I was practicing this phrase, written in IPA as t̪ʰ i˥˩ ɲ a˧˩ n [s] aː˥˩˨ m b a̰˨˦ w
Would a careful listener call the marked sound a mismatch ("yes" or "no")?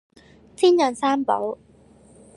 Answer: no